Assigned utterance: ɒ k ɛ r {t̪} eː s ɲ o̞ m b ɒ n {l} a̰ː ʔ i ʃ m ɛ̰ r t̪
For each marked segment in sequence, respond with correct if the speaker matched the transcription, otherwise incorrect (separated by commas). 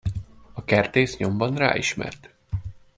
correct, incorrect